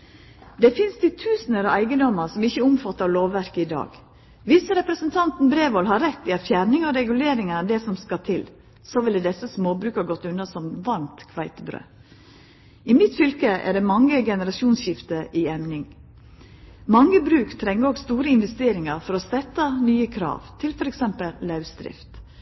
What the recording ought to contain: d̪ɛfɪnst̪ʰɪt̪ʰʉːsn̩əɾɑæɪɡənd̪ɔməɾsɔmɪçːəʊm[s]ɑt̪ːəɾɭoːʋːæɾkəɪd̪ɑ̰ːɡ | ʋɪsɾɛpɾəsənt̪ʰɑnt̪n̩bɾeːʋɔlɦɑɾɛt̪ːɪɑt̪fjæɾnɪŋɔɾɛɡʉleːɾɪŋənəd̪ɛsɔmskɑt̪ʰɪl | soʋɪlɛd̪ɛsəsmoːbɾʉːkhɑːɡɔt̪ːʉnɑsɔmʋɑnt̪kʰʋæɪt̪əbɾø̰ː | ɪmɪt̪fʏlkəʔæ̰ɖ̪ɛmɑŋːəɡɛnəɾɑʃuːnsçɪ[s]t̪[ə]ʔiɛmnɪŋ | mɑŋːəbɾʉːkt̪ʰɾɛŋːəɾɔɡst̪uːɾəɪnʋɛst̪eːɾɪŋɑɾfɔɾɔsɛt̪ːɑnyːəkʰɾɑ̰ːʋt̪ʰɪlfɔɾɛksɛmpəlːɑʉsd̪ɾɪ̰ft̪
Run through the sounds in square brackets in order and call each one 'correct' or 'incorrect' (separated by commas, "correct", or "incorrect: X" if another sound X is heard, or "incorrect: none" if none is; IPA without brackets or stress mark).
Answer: incorrect: f, incorrect: f, correct